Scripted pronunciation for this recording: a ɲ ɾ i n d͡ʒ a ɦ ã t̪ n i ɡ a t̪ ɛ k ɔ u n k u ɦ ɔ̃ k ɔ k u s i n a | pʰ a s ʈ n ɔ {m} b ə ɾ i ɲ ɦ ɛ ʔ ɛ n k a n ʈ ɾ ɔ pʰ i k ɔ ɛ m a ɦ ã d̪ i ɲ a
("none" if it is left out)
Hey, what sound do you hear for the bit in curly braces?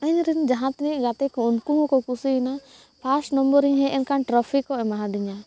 m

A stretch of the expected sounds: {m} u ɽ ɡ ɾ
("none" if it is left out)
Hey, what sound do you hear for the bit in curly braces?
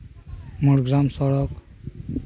m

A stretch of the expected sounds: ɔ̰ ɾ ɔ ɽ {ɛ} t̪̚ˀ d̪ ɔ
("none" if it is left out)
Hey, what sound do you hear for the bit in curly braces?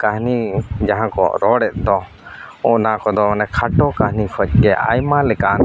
ɛ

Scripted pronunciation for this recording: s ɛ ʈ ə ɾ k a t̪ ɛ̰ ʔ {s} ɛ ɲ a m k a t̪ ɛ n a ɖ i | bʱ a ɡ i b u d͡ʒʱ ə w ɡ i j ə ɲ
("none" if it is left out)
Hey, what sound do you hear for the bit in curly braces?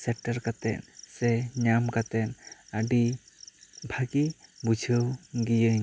s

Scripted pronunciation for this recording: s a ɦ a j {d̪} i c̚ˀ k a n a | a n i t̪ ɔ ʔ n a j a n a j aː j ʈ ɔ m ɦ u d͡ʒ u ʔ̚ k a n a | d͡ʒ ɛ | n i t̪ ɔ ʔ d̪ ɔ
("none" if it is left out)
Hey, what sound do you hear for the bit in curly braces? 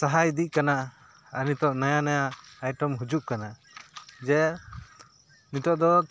d̪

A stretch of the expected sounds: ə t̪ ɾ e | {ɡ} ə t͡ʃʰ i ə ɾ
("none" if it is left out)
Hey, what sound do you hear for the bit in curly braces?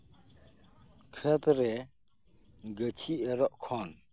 ɡ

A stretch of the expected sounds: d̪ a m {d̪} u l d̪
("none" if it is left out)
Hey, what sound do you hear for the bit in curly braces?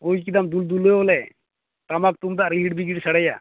d̪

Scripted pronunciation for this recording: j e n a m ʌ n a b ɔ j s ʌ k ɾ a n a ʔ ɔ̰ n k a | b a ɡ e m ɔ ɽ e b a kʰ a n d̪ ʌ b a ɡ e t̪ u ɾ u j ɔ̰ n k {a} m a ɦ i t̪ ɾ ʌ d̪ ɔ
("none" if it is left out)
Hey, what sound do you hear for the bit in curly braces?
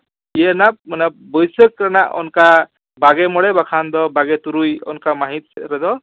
a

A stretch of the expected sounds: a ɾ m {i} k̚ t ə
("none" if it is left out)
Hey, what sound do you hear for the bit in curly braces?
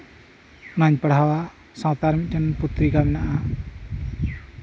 i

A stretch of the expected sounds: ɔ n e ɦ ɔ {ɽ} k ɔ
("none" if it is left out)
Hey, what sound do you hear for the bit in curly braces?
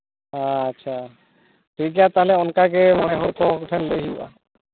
ɾ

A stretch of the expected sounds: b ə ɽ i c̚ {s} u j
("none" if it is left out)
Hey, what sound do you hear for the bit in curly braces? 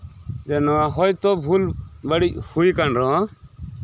h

